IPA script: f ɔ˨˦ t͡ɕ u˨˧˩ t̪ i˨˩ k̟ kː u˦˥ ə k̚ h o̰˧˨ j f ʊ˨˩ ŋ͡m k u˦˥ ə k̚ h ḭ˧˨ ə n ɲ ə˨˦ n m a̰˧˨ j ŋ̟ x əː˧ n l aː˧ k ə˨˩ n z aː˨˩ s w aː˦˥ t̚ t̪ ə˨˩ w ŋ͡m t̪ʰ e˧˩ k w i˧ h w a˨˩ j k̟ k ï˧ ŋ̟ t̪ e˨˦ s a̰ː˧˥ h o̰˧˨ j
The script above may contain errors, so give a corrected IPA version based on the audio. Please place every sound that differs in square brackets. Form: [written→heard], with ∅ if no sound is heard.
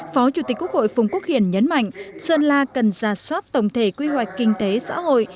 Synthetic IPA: f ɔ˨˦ t͡ɕ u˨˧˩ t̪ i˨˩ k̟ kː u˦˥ ə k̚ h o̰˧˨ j f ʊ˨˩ ŋ͡m k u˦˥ ə k̚ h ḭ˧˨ ə n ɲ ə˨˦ n m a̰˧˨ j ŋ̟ [x→s] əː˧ n l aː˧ k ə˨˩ n z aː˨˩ s w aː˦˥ t̚ t̪ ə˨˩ w ŋ͡m t̪ʰ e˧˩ k w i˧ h w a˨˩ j k̟ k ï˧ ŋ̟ t̪ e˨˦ s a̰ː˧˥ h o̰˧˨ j